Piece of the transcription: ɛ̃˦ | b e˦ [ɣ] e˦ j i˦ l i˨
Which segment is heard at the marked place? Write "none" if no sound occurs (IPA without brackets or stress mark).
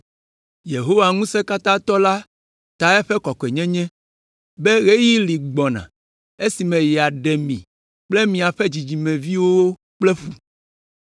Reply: ɣ